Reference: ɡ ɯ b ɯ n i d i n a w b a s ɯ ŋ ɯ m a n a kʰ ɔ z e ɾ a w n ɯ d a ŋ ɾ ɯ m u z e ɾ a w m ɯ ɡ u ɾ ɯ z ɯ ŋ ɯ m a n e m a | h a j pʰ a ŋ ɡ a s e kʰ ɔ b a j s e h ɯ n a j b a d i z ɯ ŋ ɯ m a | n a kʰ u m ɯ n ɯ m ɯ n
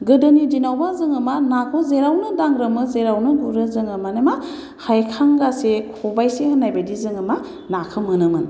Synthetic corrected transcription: ɡ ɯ d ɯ n i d i n a w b a z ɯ ŋ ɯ m a n a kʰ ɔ z e ɾ a w n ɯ d a ŋ ɾ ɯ m ɯ z e ɾ a w n ɯ ɡ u ɾ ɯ z ɯ ŋ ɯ m a n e m a | h a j kʰ a ŋ ɡ a s e kʰ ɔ b a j s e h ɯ n a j b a d i z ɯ ŋ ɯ m a | n a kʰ ɯ m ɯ n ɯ m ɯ n